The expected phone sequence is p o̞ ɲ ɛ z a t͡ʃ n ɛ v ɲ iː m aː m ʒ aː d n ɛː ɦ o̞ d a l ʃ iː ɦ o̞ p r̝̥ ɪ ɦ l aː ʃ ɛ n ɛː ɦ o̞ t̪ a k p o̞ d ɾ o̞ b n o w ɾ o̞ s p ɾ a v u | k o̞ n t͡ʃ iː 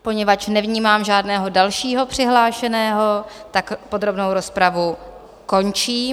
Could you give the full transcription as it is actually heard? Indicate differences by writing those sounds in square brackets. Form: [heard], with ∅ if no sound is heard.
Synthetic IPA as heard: p o̞ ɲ ɛ [v] a t͡ʃ n ɛ v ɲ iː m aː m ʒ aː d n ɛː ɦ o̞ d a l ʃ iː ɦ o̞ p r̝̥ ɪ ɦ l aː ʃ ɛ n ɛː ɦ o̞ t̪ a k p o̞ d ɾ o̞ b n o w ɾ o̞ s p ɾ a v u | k o̞ n t͡ʃ iː